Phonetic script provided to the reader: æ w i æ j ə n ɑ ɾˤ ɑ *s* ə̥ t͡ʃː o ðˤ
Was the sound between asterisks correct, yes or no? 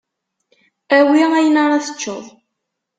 no